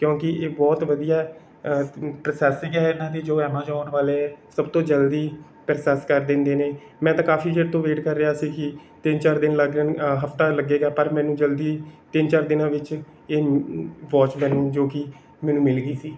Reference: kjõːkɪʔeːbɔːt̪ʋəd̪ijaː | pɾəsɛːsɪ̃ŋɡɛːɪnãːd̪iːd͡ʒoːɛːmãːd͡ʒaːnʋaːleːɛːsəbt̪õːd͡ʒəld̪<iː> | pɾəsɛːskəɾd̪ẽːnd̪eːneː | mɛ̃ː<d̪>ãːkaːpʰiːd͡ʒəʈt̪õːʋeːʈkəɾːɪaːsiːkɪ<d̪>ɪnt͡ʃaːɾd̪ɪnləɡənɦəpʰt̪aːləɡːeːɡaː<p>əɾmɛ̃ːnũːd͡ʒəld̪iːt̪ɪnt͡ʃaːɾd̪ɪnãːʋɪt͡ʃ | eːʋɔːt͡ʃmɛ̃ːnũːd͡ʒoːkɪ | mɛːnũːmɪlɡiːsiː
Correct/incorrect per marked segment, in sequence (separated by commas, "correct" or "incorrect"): correct, incorrect, incorrect, correct